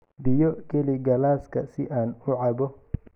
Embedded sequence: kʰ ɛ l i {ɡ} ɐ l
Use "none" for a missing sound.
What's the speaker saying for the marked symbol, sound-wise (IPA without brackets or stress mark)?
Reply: ɡ